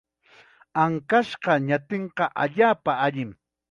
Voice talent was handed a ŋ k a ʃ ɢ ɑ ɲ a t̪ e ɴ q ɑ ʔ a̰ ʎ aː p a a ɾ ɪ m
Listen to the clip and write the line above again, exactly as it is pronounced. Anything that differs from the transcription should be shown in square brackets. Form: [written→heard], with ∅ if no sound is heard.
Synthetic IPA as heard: a ŋ k a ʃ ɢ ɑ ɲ a t̪ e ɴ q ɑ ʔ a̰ ʎ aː p a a [ɾ→ʎ] ɪ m